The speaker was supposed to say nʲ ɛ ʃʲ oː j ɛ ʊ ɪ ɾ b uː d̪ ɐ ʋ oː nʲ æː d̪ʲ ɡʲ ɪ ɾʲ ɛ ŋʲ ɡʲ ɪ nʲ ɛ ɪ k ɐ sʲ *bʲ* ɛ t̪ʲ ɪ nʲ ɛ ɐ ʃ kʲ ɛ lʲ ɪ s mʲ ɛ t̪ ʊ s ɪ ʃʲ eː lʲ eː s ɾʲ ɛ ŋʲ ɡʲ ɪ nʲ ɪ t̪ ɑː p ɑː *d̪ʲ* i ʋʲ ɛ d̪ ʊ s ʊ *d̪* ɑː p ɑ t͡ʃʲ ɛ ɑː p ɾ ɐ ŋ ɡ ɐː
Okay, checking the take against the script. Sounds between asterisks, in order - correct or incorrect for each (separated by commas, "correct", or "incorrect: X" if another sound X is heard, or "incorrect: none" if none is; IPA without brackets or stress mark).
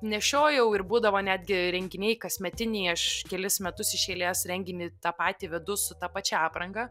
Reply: incorrect: mʲ, incorrect: t̪ʲ, incorrect: t̪